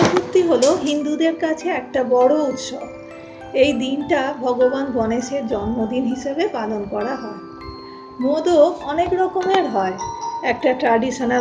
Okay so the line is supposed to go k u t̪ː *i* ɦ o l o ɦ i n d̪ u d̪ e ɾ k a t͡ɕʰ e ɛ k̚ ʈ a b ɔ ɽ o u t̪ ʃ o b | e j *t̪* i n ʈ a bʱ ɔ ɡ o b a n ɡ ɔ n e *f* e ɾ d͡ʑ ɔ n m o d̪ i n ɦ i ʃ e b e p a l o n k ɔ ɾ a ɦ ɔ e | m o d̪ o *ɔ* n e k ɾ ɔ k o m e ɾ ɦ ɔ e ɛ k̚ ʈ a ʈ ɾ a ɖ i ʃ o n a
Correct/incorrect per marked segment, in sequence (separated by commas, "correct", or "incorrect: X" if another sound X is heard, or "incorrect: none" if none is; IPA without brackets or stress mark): correct, incorrect: d̪, incorrect: ʃ, correct